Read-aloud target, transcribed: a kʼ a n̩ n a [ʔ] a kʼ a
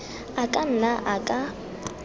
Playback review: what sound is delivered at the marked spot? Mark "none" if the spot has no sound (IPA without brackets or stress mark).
ʔ